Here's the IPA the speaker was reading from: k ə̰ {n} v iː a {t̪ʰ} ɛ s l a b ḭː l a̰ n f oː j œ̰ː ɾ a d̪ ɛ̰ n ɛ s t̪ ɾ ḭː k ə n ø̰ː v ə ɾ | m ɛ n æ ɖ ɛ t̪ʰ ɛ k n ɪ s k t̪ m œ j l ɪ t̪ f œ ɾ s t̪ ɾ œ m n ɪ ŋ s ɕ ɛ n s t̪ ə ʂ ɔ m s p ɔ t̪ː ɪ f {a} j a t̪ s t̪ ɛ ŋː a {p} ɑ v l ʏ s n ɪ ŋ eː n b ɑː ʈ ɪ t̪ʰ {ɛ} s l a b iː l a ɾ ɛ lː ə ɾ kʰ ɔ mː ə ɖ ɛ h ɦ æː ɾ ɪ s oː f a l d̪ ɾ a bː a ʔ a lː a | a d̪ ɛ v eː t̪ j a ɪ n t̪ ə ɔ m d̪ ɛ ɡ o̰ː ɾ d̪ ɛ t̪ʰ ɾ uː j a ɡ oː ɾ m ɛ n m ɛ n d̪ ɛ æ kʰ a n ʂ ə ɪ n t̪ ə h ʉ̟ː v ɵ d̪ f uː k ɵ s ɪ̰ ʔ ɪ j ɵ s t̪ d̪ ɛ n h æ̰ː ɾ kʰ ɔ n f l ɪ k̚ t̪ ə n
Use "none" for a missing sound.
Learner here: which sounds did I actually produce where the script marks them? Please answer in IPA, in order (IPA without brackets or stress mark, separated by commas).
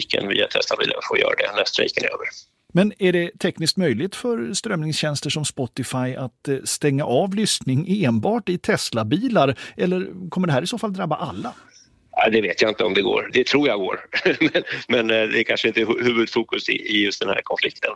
n, t̪ʰ, a, ʔ, ɛ